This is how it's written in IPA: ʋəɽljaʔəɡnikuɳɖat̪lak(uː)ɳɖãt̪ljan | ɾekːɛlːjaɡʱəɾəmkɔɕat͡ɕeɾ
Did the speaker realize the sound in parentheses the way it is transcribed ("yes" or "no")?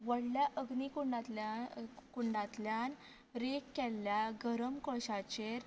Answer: no